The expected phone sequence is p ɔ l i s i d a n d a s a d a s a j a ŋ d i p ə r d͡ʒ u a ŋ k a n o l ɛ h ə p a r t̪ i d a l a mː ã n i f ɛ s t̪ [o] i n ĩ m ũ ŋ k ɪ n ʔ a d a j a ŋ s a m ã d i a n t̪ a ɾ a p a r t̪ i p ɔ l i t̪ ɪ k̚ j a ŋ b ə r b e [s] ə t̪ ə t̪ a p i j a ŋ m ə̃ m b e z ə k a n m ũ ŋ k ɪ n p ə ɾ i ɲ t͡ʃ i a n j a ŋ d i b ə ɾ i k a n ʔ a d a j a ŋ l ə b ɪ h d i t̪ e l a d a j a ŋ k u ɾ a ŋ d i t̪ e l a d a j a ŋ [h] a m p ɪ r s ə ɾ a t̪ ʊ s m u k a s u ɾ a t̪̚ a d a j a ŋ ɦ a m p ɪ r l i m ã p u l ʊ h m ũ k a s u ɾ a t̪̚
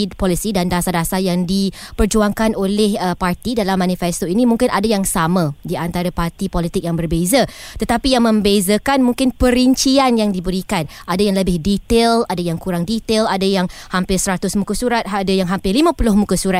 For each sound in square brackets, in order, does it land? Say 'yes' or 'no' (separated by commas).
yes, no, yes